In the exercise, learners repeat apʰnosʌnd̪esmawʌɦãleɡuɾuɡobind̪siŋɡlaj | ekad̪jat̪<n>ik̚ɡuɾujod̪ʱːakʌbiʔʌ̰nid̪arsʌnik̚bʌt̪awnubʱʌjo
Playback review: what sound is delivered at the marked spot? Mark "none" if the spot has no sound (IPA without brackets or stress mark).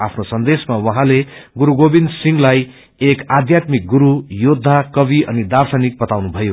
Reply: m